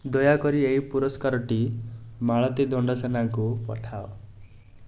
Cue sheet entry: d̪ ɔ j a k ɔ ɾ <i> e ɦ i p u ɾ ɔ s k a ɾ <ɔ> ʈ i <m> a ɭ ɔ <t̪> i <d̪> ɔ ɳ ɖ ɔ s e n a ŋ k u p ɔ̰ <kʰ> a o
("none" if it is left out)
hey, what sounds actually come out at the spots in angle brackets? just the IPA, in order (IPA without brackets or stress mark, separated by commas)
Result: i, ɔ, m, t̪, d̪, ʈʰ